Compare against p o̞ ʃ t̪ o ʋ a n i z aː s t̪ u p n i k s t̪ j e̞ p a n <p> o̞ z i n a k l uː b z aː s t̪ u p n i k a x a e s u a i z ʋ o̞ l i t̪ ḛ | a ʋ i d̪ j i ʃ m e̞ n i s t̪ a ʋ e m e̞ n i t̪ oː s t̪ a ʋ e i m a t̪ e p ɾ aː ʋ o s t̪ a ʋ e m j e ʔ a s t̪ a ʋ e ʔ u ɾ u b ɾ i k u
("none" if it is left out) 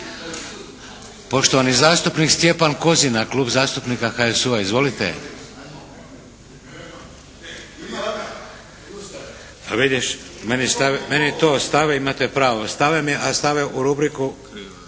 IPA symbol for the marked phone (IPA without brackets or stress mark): k